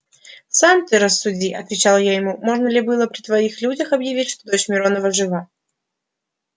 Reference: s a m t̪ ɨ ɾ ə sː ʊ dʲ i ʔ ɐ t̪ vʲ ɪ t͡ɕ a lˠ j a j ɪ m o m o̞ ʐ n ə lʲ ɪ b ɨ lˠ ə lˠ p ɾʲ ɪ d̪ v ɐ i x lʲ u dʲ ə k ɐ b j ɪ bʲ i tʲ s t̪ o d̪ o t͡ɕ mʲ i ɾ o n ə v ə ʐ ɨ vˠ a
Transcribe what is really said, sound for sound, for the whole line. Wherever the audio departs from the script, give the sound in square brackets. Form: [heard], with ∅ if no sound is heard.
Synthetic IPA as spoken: s a m t̪ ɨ ɾ ə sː ʊ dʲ i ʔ ɐ t̪ vʲ ɪ t͡ɕ a lˠ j a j ɪ m [u] m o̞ ʐ n ə lʲ ɪ b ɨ lˠ ə [∅] p ɾʲ ɪ [t̪] v ɐ i x lʲ u dʲ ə [x] ɐ b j ɪ [vʲ] i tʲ [ʂ] t̪ o d̪ o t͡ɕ mʲ [ɪ] ɾ o n ə v ə ʐ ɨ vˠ a